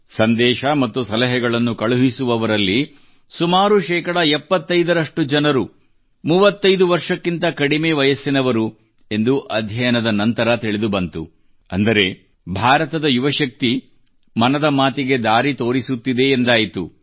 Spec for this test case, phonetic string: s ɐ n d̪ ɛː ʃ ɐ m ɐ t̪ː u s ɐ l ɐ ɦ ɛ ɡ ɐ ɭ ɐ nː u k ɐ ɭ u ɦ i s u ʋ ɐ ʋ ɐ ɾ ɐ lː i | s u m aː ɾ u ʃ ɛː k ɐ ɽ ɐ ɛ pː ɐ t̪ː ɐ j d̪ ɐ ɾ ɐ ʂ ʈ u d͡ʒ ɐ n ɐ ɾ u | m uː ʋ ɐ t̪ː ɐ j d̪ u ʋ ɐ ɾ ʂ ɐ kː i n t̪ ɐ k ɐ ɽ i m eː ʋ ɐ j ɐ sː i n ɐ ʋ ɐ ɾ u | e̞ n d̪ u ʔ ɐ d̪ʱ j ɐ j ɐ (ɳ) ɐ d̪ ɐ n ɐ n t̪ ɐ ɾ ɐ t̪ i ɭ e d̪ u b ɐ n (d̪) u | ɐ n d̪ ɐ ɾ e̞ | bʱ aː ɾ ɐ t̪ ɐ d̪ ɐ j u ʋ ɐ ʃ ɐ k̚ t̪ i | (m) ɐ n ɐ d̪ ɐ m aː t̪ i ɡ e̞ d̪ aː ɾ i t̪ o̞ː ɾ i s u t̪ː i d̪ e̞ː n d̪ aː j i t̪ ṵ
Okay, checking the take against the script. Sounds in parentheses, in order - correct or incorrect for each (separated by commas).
incorrect, incorrect, correct